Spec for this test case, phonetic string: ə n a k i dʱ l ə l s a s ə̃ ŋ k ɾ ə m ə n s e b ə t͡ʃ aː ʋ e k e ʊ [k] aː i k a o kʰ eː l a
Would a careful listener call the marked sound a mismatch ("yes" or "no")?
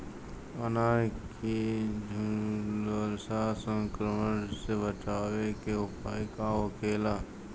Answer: yes